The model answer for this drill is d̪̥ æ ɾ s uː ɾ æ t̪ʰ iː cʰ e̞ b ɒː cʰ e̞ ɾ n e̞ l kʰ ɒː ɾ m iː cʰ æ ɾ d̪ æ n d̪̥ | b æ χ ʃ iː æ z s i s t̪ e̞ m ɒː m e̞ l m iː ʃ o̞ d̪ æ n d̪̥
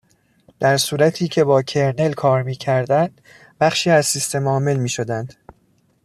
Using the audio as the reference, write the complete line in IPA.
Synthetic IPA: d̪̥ æ ɾ s uː ɾ æ t̪ʰ iː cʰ e̞ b ɒː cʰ e̞ ɾ n e̞ l kʰ ɒː ɾ m iː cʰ æ ɾ d̪ æ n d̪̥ | b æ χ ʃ iː æ z s i s t̪ e̞ m ɒː m e̞ l m iː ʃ o̞ d̪ æ n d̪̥